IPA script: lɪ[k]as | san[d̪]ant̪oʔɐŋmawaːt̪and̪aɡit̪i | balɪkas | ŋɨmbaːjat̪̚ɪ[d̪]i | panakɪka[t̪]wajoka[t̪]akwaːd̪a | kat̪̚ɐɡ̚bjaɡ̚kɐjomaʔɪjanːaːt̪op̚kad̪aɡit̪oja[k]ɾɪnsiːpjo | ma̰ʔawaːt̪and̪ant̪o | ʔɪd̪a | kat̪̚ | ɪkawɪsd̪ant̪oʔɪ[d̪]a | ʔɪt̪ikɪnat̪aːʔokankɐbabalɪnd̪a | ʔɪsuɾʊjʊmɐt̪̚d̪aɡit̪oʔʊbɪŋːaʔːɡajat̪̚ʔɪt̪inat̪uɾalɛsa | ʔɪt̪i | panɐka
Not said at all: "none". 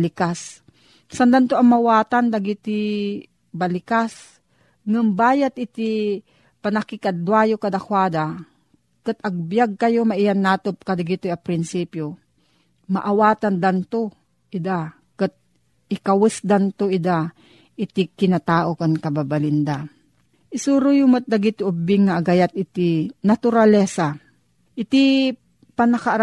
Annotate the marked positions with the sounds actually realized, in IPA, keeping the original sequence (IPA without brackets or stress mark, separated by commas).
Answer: k, d̪, t̪, d̪, d̪, p, d̪